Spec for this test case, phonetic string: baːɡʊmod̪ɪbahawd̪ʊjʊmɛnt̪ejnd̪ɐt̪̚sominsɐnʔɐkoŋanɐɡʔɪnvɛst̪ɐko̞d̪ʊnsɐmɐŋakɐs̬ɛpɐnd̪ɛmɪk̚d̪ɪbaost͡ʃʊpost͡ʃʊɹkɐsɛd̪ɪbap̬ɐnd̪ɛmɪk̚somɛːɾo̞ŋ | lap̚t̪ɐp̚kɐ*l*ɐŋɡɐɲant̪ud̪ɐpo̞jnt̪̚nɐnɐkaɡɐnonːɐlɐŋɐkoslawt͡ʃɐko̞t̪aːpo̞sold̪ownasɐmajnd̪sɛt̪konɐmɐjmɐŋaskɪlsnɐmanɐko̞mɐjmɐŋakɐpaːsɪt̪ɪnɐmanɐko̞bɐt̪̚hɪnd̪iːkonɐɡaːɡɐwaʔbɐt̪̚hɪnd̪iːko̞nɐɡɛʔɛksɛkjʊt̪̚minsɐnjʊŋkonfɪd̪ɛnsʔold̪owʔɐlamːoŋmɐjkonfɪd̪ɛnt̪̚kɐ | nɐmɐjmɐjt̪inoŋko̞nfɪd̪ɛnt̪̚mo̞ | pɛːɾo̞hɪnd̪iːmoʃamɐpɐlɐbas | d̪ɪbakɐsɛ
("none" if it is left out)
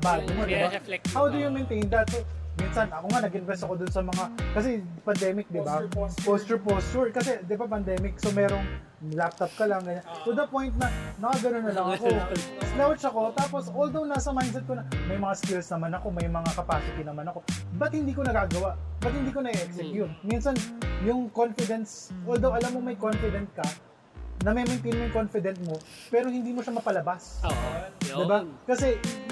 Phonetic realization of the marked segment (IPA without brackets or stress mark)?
l